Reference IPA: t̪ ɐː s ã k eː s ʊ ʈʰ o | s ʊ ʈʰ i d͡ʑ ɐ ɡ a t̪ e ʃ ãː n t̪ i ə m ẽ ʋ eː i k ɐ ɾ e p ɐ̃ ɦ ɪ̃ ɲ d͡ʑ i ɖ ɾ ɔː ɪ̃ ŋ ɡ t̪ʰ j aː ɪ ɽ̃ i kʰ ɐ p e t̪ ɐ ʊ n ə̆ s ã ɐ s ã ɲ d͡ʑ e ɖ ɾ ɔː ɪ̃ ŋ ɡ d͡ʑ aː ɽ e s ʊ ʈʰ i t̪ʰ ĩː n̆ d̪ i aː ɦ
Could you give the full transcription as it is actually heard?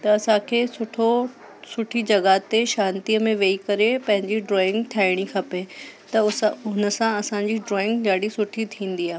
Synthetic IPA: t̪ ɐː s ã kʰ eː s ʊ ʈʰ o | s ʊ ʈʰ i d͡ʑ ɐ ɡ a t̪ e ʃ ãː n t̪ i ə m ẽ ʋ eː i k ɐ ɾ e p ɐ̃ ɦ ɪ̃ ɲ d͡ʑ i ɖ ɾ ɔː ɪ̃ ŋ ɡ t̪ʰ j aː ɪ ɽ̃ i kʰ ɐ p e t̪ ɐ ʊ n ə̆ s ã ɐ s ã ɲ d͡ʑ i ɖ ɾ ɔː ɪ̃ ŋ ɡ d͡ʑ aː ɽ i s ʊ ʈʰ i t̪ʰ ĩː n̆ d̪ i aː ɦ